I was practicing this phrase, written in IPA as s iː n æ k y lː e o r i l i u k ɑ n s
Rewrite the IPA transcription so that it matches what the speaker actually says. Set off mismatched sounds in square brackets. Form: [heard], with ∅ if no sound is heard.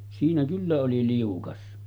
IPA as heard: s iː n æ k y lː [æ] o [l] i l i u k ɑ [∅] s